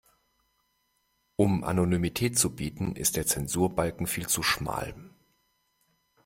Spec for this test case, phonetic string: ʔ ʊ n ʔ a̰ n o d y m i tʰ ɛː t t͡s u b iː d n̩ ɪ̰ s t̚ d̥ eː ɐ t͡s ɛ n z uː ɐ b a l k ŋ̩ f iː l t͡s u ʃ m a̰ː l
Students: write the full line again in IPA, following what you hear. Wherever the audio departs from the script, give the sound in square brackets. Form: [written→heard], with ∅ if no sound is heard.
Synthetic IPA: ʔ ʊ [n→m] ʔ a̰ n o [d→n] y m i tʰ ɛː t t͡s u b iː [d→t] n̩ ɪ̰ s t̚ d̥ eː ɐ t͡s ɛ n z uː ɐ b a l k ŋ̩ f iː l t͡s u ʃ m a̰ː l